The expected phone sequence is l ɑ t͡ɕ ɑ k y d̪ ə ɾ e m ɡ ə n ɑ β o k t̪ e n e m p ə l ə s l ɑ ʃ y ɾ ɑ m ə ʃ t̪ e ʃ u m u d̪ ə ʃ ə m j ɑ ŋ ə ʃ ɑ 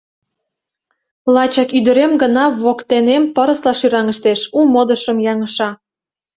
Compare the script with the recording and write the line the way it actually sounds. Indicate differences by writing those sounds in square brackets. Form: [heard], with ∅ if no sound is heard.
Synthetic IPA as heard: l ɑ t͡ɕ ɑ k y d̪ ə ɾ e m ɡ ə n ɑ β o k t̪ e n e m p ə [ɾ] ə s l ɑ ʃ y ɾ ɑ [ŋ] ə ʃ t̪ e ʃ u m [o] d̪ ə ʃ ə m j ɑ ŋ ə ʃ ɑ